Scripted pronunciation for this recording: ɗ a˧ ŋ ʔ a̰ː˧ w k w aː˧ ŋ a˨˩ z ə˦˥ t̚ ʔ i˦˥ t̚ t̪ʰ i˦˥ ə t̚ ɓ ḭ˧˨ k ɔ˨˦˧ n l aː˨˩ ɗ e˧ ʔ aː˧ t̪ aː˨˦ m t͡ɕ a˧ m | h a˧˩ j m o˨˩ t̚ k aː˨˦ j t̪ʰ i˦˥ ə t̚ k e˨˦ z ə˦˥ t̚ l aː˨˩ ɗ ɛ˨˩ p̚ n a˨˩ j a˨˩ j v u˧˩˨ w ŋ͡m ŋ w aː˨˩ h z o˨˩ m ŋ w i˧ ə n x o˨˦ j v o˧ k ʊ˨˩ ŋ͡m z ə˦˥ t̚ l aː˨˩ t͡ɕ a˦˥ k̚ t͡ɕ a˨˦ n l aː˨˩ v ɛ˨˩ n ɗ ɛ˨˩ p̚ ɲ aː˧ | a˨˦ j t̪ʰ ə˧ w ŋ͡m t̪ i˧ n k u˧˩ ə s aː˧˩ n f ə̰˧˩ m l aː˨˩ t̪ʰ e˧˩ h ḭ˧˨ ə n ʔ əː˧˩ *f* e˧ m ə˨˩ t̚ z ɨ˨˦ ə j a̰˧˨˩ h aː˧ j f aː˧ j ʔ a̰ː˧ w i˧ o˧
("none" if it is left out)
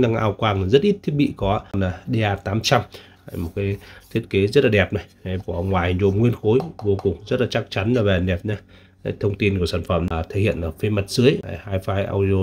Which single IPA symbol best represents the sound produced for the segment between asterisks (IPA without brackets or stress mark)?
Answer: f